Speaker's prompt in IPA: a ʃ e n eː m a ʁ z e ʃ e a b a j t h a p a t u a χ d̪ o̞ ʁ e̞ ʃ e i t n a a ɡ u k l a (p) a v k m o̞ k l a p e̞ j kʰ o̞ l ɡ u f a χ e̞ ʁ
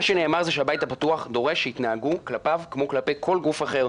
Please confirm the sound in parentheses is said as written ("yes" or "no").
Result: yes